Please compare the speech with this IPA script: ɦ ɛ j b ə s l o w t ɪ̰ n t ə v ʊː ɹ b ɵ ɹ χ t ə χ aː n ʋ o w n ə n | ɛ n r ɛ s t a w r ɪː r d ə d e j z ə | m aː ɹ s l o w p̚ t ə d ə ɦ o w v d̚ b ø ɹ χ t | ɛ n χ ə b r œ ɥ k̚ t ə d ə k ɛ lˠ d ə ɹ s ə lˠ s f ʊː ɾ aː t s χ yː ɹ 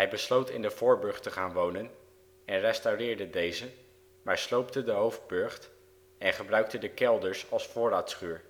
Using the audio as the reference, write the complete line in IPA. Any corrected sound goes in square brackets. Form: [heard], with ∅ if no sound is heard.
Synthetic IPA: ɦ ɛ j b ə s l o w t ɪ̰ n [d] ə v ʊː ɹ b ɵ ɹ χ t ə χ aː n ʋ o w n ə n | ɛ n r ɛ s t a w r ɪː [ɹ] d ə d e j z ə | m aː ɹ s l o w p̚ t ə d ə ɦ o w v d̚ b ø ɹ χ t | ɛ n χ ə b r œ ɥ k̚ t ə d ə k ɛ lˠ d ə ɹ s [ɑ] lˠ s f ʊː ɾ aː t s χ yː ɹ